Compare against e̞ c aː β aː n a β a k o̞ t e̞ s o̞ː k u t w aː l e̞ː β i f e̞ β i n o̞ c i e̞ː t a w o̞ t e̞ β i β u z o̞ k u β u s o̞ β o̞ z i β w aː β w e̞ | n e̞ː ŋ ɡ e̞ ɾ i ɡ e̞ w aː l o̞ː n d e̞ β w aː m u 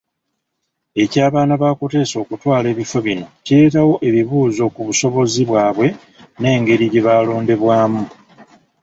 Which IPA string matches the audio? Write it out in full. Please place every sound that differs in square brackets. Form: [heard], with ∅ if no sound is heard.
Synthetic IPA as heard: e̞ c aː β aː n a β a k o̞ t e̞ s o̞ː k u t w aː l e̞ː β i f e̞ β i n o̞ c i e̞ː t a w o̞ [ʔ] e̞ β i β [uː] z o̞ k u β u s o̞ β o̞ z i β w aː β w e̞ | n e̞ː ŋ ɡ e̞ ɾ i [ɟ] e̞ [β] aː l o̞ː n d e̞ β w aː m u